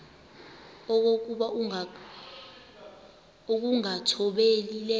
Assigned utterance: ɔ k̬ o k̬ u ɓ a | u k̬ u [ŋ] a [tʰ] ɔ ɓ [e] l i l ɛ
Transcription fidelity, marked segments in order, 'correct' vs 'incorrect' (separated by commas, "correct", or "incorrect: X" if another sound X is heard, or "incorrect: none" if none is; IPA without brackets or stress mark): correct, correct, correct